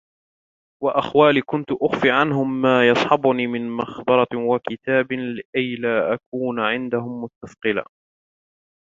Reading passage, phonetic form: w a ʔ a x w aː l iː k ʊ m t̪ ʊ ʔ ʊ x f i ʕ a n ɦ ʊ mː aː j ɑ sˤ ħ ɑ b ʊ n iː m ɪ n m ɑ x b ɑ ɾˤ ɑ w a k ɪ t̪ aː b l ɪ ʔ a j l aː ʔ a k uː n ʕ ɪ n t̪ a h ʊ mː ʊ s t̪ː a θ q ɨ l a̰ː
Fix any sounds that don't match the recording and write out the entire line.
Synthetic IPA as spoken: w a ʔ a x w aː l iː k ʊ n t̪ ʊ ʔ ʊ x f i ʕ a n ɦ ʊ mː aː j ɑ sˤ ħ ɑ b ʊ n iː m ɪ n m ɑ x b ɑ ɾˤ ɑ w a k ɪ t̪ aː b l ɪ ʔ a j l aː ʔ a k uː n ʕ ɪ n d̪ a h ʊ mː ʊ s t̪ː a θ q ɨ l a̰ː